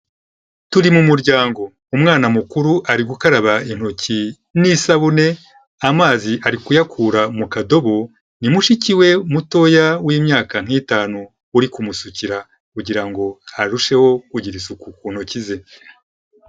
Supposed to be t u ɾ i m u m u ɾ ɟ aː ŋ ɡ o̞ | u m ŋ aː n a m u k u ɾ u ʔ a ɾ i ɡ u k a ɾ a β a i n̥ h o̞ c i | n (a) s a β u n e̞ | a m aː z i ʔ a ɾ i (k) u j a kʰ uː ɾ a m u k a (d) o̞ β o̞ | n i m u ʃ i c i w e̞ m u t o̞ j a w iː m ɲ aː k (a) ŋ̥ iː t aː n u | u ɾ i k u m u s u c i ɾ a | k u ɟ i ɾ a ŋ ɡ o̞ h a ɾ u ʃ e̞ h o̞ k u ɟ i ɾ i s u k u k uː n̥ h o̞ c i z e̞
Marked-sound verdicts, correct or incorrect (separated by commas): incorrect, correct, correct, correct